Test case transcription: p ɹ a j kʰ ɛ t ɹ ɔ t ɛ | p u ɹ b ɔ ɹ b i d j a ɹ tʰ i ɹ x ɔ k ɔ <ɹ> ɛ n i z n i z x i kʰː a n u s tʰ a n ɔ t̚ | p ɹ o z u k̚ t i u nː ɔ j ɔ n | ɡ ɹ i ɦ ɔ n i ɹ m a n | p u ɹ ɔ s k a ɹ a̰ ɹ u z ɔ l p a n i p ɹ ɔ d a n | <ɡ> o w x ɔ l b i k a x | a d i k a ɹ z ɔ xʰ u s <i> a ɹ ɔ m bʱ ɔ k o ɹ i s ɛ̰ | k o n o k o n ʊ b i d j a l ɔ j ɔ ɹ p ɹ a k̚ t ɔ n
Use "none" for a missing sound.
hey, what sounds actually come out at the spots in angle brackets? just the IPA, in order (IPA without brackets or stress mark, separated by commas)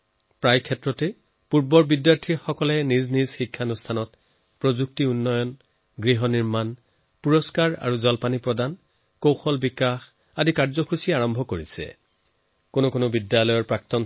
l, k, i